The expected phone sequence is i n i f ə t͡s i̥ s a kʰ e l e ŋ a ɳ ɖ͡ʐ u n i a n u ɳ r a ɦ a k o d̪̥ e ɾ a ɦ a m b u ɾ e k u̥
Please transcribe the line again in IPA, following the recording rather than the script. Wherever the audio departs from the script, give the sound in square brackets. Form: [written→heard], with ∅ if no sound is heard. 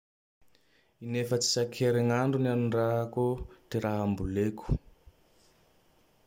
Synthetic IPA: i n [i→e] f ə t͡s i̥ s a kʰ e [l→ɾ] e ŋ a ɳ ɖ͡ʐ u n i a n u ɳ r a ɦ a k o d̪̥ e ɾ a ɦ a m b u [ɾ→l] e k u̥